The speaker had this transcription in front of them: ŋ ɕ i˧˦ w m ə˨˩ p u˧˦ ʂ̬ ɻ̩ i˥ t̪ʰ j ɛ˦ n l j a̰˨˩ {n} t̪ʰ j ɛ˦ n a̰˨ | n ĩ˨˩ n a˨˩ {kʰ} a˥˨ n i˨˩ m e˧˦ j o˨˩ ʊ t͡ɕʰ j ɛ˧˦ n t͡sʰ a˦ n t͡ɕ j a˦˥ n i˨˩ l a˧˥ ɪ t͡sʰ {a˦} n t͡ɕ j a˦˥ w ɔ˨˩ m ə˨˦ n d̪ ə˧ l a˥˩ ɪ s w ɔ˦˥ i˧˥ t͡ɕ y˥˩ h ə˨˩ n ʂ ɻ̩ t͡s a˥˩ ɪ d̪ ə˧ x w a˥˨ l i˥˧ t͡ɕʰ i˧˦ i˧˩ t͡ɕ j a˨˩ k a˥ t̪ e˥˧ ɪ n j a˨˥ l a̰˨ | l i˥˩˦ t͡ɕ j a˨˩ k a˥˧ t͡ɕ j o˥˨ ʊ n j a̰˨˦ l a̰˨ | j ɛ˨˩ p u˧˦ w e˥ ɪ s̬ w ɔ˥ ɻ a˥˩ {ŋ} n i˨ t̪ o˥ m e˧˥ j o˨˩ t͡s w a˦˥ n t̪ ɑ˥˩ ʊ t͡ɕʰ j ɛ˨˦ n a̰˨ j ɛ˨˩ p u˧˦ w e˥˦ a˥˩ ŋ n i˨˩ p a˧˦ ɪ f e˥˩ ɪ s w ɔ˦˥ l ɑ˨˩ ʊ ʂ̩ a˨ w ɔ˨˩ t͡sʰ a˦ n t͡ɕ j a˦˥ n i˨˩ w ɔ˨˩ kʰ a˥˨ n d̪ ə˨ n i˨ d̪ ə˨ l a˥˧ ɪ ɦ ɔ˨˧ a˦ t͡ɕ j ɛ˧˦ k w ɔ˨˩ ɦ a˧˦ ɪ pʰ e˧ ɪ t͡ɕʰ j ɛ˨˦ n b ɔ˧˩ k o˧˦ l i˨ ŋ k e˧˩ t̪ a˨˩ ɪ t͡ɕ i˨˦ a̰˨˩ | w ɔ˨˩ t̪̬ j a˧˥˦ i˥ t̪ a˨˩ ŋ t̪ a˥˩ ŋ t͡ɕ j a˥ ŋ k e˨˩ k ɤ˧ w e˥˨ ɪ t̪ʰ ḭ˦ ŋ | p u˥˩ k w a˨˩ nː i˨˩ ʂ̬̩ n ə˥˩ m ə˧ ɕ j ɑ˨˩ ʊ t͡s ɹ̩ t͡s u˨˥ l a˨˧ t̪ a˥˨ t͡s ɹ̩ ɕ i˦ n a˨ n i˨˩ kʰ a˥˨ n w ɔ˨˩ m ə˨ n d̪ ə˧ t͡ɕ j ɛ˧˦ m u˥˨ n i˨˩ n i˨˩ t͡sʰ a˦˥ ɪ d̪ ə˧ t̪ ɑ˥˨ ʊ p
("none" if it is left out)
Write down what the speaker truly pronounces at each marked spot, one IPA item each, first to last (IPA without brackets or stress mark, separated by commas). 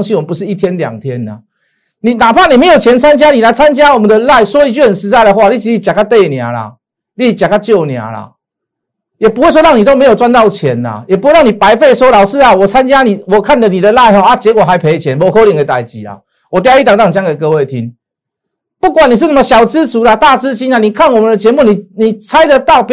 ŋ, pʰ, a˦, ŋ